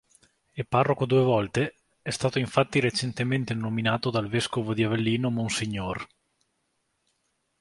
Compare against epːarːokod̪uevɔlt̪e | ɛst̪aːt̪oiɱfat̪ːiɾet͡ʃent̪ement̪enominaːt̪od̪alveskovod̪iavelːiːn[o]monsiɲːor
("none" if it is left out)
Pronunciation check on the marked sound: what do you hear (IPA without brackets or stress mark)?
o